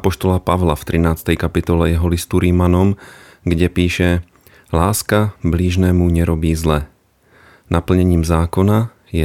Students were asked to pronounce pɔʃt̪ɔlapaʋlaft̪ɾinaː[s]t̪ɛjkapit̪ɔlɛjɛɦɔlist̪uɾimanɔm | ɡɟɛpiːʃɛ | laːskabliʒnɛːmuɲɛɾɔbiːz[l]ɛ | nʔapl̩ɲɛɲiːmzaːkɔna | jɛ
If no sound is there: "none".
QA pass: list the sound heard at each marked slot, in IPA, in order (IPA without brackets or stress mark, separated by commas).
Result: t͡s, l